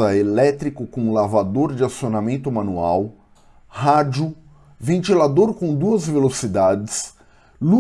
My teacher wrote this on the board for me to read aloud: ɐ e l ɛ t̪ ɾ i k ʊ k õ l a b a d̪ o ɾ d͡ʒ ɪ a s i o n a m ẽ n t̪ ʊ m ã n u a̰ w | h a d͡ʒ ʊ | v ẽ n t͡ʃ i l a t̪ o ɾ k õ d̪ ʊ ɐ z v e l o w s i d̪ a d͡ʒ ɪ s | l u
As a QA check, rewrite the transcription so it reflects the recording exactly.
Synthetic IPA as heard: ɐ e l ɛ t̪ ɾ i k ʊ k õ l a v a d̪ o ɾ d͡ʒ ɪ a s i o n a m ẽ n t̪ ʊ m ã n u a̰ w | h a d͡ʒ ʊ | v ẽ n t͡ʃ i l a d̪ o ɾ k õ d̪ u ɐ z v e l o s i d̪ a d͡ʒ ɪ s | l u